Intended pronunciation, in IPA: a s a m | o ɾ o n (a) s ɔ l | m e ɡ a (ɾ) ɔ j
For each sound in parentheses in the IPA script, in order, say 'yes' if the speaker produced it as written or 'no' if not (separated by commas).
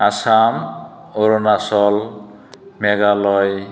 yes, no